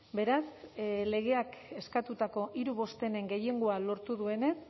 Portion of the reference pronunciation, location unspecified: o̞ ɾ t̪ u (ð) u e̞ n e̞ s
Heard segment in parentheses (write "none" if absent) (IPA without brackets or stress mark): ð